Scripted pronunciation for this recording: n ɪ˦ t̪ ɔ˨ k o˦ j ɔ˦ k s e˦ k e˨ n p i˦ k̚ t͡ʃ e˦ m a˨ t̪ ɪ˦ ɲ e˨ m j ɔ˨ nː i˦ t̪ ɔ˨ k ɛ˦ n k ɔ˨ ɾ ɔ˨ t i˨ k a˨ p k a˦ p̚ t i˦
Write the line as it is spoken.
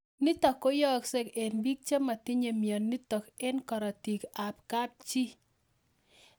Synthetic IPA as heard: n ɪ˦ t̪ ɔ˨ k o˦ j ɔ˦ k s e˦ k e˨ n b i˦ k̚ t͡ʃ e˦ m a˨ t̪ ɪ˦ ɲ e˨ m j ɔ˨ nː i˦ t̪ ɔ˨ k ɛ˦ n k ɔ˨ ɾ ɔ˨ t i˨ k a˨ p k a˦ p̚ t͡ʃ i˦